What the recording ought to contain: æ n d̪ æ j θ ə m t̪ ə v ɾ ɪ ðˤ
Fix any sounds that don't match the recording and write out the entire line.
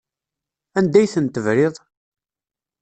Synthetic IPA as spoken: æ n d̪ æ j θ ə n t̪ ə v ɾ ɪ ðˤ